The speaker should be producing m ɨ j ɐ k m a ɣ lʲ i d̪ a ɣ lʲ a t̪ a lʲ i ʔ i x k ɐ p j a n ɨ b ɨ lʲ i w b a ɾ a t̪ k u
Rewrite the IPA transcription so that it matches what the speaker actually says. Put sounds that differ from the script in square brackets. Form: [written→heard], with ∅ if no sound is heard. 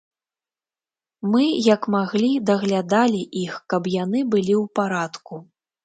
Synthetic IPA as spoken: m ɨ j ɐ k m a ɣ lʲ i d̪ [a→ɐ] ɣ lʲ a [t̪→d̪] a lʲ i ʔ i x k ɐ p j a n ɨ b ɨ lʲ i w [b→p] a ɾ a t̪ k u